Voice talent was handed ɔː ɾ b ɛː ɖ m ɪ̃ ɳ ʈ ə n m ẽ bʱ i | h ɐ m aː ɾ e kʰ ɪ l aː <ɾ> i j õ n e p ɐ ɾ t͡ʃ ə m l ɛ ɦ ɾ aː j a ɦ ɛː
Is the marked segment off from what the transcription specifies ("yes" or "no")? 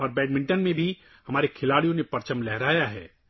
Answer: yes